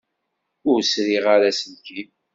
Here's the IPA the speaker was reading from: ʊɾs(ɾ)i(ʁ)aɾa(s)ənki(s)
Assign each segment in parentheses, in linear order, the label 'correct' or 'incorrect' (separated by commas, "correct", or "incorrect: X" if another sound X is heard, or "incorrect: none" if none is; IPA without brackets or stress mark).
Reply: correct, correct, correct, incorrect: none